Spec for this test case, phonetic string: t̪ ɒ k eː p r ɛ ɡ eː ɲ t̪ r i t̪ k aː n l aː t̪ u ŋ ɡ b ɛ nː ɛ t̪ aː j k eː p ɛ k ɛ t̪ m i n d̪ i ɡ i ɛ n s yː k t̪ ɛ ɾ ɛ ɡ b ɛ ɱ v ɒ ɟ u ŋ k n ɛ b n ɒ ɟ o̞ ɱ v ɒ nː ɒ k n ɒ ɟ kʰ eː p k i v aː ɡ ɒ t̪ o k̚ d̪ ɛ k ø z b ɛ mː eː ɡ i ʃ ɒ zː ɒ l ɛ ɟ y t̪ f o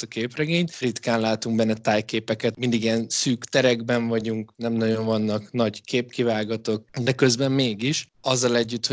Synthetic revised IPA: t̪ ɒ k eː p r ɛ ɡ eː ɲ t̪ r i t̪ k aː n l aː t̪ u ŋ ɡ b ɛ nː ɛ t̪ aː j k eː p ɛ k ɛ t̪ m i n d̪ i ɡ i ɛ n s yː k t̪ ɛ ɾ ɛ ɡ b ɛ ɱ v ɒ ɟ u ŋ k n ɛ m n ɒ ɟ o̞ ɱ v ɒ nː ɒ k n ɒ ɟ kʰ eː p k i v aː ɡ ɒ t̪ o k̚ d̪ ɛ k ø z b ɛ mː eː ɡ i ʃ ɒ zː ɒ l ɛ ɟː y t̪ h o